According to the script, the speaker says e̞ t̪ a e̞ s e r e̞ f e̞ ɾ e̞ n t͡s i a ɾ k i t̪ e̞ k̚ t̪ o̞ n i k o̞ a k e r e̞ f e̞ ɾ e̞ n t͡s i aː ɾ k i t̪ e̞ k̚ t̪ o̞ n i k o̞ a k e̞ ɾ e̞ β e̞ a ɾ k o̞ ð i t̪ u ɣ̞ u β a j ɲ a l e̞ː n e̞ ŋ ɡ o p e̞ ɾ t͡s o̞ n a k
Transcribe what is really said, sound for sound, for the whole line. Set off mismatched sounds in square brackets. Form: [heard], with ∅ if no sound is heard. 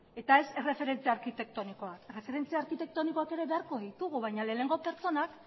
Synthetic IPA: e̞ t̪ a e̞ s e r e̞ f e̞ ɾ e̞ n t͡s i a ɾ k i t̪ e̞ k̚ t̪ o̞ n i k o̞ a k e r e̞ f e̞ ɾ e̞ n t͡s i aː ɾ k i t̪ e̞ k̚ t̪ o̞ n i k o̞ a k e̞ ɾ e̞ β e̞ a ɾ k o̞ ð i t̪ u ɣ̞ u β a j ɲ a l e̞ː n e̞ ŋ ɡ o p e̞ ɾ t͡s o̞ n a k